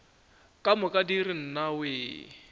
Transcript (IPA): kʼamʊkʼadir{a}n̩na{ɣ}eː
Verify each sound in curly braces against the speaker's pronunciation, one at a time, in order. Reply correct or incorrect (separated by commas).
incorrect, incorrect